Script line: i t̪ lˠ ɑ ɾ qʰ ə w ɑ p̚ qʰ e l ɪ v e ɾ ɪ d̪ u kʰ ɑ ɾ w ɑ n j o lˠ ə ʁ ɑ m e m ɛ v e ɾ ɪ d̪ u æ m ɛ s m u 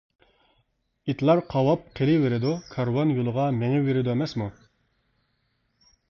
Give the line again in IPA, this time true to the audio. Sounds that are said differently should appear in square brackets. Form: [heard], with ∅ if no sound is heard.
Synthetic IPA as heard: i t̪ lˠ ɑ ɾ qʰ [ɑ] w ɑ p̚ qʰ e l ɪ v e ɾ ɪ d̪ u kʰ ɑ ɾ w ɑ n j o lˠ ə ʁ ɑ m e [ŋ] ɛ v e ɾ ɪ d̪ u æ m ɛ s m u